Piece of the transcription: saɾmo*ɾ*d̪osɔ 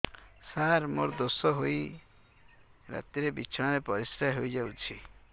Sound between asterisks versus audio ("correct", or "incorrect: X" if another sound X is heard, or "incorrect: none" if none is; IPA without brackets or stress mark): correct